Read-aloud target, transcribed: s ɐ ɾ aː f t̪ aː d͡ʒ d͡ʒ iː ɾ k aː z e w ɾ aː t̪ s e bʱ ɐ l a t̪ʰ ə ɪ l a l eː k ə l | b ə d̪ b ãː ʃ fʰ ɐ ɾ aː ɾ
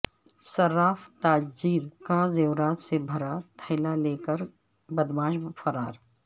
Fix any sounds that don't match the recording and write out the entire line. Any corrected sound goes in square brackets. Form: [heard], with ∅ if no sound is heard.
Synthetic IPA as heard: s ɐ ɾ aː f t̪ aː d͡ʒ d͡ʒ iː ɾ k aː z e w ɾ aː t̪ s e bʱ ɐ [ɾ] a t̪ʰ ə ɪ l a l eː k ə [ɾ] | b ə d̪ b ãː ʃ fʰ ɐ ɾ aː ɾ